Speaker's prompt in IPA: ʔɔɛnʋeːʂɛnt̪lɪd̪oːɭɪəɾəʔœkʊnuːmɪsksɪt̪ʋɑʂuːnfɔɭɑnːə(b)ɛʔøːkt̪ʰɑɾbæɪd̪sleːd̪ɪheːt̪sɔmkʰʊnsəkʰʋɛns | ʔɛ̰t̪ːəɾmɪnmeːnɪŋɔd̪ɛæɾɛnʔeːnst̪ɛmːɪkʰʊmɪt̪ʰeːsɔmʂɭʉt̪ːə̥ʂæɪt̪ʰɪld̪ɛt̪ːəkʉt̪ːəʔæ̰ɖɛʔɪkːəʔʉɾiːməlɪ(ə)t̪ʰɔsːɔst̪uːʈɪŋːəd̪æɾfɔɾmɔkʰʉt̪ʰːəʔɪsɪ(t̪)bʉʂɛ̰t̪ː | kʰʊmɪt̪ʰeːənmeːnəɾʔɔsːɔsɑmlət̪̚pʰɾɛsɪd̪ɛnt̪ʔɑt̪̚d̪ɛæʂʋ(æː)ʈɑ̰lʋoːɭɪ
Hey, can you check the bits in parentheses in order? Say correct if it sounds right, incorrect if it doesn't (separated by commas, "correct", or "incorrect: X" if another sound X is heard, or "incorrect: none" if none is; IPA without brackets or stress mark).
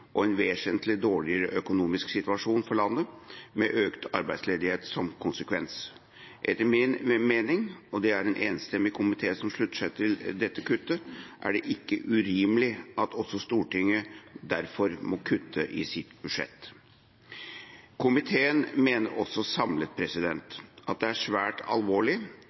incorrect: m, incorrect: ɑ, correct, correct